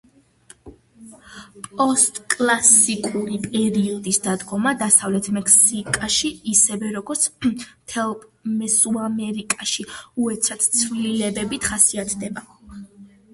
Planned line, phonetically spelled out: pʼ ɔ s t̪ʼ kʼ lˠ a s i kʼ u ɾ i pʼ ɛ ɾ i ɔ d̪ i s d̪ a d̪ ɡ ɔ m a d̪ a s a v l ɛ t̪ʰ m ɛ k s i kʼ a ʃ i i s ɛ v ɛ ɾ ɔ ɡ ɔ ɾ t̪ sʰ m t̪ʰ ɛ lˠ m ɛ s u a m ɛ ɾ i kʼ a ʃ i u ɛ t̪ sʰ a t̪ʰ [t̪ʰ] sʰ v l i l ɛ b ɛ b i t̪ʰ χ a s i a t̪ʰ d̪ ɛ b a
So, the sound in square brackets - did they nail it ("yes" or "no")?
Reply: no